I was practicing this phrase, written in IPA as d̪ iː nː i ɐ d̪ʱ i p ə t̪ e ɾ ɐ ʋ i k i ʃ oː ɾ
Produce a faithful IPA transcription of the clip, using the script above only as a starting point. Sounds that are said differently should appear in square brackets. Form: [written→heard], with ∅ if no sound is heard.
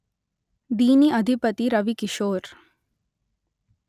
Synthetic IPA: d̪ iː [nː→n] i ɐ d̪ʱ i p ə t̪ [e→i] ɾ ɐ ʋ i k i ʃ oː ɾ